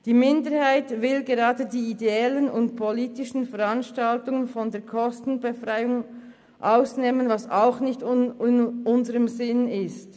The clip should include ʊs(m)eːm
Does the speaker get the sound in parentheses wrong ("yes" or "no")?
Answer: yes